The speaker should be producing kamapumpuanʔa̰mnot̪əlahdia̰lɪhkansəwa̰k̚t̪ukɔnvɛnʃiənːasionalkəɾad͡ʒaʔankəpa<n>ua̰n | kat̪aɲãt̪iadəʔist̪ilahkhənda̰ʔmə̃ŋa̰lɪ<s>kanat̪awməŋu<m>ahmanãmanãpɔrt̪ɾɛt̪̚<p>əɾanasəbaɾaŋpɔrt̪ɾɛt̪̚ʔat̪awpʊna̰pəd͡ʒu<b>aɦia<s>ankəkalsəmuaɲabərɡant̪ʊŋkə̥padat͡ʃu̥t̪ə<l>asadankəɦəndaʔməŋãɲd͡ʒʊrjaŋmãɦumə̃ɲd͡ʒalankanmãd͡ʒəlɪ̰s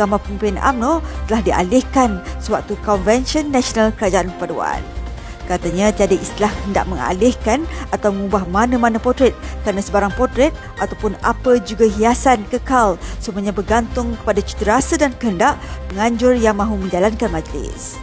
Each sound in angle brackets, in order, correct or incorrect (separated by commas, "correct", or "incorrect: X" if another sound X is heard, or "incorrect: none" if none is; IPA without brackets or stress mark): incorrect: d, incorrect: h, incorrect: b, incorrect: k, incorrect: ɡ, correct, incorrect: ɾ